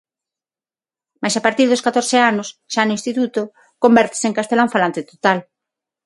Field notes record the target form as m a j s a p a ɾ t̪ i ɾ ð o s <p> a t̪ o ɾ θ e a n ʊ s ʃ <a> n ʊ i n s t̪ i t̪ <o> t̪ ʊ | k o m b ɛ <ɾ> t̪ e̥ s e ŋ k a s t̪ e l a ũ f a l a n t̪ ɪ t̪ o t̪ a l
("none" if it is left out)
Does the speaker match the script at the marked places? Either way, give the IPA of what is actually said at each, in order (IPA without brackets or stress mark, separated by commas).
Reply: k, a, u, ɾ